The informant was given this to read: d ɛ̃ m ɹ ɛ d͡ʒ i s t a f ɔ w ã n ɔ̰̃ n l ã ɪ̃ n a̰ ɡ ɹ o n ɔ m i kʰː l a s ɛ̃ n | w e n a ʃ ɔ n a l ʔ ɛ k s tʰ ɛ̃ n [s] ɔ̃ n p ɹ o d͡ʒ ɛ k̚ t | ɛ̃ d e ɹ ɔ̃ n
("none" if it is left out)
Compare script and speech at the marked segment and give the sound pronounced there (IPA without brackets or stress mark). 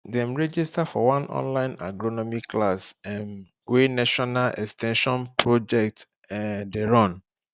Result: ʃ